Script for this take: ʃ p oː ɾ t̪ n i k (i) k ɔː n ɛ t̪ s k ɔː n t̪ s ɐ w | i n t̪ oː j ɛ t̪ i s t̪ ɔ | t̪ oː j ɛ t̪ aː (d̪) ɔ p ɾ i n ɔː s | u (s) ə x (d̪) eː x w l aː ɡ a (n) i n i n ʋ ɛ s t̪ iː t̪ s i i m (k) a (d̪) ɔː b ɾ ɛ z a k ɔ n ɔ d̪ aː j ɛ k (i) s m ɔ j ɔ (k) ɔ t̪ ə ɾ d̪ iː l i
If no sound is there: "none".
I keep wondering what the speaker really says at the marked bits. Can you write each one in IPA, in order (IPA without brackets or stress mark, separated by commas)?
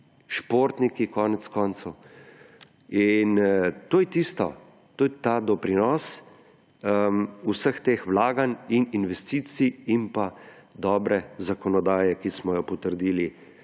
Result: i, d̪, s, t̪, n, p, d̪, i, p